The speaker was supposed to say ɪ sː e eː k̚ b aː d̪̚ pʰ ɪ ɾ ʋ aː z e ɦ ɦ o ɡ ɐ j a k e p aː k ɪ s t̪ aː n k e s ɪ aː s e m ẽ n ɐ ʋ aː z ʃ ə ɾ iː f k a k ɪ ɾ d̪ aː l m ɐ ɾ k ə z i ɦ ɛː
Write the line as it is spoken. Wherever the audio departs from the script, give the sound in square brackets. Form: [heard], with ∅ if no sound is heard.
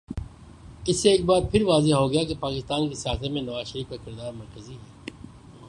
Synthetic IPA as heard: ɪ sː e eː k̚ b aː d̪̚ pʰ ɪ ɾ ʋ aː z e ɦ ɦ o ɡ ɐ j a k e p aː k ɪ s t̪ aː n k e s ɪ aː s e m ẽ n ɐ ʋ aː z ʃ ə ɾ iː f k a k ɪ ɾ d̪ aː [ɾ] m ɐ ɾ k ə z i ɦ ɛː